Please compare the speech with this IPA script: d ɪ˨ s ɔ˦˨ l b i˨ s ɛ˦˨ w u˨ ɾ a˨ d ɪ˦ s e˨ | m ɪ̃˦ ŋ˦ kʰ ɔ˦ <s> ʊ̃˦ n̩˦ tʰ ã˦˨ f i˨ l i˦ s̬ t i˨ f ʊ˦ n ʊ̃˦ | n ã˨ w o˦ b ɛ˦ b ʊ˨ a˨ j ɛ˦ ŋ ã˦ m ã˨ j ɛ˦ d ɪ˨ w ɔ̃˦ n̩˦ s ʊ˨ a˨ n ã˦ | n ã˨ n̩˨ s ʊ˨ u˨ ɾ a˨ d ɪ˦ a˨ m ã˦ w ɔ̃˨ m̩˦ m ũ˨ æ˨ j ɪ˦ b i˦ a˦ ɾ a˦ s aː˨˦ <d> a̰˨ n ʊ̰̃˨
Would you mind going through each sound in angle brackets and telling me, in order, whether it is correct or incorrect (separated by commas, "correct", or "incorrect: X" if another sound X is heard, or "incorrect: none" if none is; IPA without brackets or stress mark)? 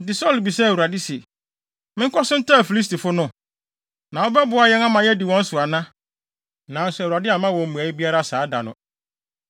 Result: correct, correct